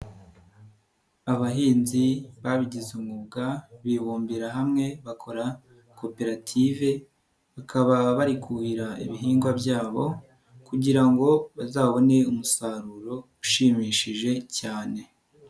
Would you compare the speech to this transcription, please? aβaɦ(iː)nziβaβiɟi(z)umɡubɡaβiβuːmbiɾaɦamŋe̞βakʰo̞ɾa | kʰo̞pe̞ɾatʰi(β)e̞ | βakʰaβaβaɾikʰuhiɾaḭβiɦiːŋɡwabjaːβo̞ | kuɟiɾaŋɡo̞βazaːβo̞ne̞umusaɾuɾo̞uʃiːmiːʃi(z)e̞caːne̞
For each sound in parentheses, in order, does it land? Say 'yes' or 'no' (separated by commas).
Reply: yes, yes, no, no